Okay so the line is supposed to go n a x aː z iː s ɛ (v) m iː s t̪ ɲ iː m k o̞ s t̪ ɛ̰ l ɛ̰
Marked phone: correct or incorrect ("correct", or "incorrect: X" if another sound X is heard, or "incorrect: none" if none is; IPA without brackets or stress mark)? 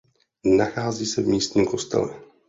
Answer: correct